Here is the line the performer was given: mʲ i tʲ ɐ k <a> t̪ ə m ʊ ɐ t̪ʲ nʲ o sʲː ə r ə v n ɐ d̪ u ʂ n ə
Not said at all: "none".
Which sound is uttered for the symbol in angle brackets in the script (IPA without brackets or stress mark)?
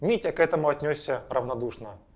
ɛ